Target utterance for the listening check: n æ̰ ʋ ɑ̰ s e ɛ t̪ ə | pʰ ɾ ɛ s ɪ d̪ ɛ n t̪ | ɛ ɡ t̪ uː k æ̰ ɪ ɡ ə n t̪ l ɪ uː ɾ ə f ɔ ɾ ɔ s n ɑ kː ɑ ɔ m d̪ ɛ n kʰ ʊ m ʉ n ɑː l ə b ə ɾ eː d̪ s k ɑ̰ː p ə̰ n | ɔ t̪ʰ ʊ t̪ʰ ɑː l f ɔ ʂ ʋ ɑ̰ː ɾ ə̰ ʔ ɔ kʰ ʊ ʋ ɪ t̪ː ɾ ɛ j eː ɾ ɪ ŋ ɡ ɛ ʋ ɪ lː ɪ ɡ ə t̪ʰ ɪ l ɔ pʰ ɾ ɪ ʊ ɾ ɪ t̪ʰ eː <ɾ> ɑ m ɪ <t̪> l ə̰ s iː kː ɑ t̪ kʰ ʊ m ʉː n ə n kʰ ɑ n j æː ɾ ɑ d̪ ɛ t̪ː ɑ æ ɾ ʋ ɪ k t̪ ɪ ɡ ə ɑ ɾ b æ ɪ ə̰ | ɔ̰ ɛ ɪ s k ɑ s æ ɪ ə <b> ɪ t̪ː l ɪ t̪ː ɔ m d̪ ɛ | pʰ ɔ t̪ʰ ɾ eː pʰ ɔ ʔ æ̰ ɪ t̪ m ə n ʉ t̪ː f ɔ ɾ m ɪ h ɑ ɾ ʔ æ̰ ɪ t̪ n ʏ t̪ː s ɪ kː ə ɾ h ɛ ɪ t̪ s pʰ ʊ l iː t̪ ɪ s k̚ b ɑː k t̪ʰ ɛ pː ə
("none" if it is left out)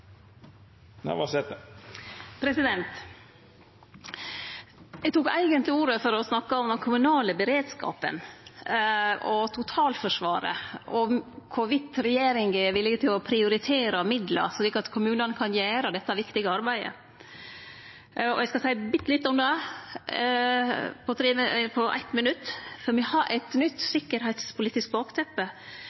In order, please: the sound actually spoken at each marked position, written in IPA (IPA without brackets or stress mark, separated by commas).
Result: ɾ, d̪, b